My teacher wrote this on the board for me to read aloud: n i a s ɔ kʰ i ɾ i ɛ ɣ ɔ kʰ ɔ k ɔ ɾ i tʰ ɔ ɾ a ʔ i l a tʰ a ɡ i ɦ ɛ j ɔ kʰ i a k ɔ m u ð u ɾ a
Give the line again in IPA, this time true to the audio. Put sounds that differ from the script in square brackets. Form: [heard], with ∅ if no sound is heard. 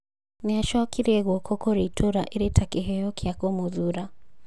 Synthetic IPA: n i a [ʃ] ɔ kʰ i ɾ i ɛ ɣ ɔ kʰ ɔ k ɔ ɾ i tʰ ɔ ɾ a ʔ i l [i] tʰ a [k] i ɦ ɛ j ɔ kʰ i a k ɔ m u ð u ɾ a

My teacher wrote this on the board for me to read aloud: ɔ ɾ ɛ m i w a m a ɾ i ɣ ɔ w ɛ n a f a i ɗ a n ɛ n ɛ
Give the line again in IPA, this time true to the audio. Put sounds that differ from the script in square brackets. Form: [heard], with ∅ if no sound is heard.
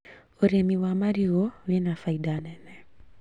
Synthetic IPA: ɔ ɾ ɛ m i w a m a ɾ i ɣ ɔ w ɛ n a f a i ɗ a n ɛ n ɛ

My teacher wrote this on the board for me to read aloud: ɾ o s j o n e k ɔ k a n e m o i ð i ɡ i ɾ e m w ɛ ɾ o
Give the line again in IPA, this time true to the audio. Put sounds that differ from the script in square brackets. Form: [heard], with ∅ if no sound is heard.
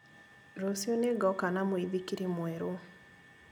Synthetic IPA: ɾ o s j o n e [ɡ] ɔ k a n [a] m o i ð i [k] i ɾ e m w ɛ ɾ o

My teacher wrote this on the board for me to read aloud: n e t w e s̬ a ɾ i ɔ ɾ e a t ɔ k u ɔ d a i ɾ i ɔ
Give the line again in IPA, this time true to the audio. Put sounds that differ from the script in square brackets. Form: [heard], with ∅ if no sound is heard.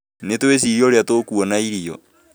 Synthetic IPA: n e t w e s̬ [i] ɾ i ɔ ɾ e a t [o] k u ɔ [n] a i ɾ i ɔ

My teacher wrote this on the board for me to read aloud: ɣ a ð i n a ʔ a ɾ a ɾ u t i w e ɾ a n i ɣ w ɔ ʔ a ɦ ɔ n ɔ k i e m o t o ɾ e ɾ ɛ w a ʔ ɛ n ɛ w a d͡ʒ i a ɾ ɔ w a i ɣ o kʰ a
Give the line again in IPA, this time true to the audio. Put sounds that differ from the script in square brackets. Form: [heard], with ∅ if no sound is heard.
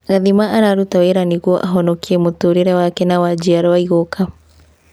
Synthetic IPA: ɣ a ð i [m] a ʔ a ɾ a ɾ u t [a] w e ɾ a n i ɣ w ɔ ʔ a ɦ ɔ n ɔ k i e m o t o ɾ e ɾ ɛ w a [k] ɛ n [a] w a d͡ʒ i a ɾ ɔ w a i ɣ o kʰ a

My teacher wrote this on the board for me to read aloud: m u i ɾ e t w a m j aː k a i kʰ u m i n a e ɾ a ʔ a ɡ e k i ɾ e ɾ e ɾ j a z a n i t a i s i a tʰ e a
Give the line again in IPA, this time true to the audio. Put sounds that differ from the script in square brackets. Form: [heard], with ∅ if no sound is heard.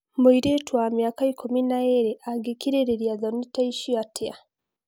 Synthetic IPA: m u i ɾ e t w a m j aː k a i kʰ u m i n a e ɾ [e] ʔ a ɡ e k i ɾ e ɾ e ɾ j a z a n i t a i [ʃ] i a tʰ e a

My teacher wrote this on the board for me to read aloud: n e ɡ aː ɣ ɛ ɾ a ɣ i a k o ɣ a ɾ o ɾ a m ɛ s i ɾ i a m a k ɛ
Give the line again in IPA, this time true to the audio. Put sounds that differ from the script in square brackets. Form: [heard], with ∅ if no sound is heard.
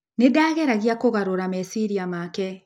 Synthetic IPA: n e [d] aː ɣ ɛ ɾ a ɣ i a k o ɣ a ɾ o ɾ a m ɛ s i ɾ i a m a k ɛ

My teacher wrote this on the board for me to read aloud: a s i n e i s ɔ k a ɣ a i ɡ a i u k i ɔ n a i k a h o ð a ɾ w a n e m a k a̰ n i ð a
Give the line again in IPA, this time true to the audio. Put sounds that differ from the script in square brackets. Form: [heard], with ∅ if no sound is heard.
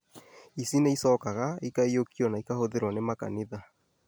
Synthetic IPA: [i] s i n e i s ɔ k a ɣ a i [k] a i [o] k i ɔ n a i k a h o ð [e] ɾ w a n e m a k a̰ n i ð a

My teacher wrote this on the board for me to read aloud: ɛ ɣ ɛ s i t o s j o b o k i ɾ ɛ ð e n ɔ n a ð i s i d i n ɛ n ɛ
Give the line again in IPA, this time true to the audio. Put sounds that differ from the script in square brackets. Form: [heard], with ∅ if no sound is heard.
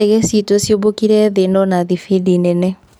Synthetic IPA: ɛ ɣ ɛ s i t o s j o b o k i ɾ ɛ ð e n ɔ n a ð i [f] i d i n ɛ n ɛ

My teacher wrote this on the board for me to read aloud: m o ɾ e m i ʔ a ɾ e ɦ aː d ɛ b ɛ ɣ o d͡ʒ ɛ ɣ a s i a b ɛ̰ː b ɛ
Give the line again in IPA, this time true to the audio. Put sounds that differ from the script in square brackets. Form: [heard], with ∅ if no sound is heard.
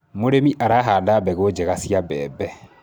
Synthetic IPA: m o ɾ e m i ʔ a ɾ [a] ɦ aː d [a] b ɛ ɣ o d͡ʒ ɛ ɣ a s i a b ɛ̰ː b ɛ

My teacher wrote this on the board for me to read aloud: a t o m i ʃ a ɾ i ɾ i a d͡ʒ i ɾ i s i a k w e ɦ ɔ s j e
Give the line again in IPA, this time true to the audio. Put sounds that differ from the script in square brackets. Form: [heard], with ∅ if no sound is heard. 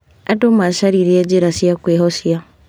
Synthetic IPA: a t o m [a] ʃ a ɾ i ɾ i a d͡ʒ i ɾ [a] s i a k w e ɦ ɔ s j [a]

